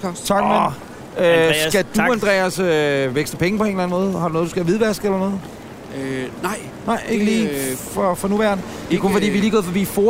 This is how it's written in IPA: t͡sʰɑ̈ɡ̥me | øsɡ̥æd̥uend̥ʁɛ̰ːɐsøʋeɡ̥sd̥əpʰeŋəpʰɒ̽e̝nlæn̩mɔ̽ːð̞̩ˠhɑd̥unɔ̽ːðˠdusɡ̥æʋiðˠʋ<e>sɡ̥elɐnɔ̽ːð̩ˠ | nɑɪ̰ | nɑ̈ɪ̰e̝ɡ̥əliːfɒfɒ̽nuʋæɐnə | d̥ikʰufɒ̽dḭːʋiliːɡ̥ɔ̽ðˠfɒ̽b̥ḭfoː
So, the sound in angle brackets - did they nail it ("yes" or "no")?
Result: no